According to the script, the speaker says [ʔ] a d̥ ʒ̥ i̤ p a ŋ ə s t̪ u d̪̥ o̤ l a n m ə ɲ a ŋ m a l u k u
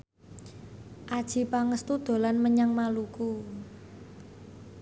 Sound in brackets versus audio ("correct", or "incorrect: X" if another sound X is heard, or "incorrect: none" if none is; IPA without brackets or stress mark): correct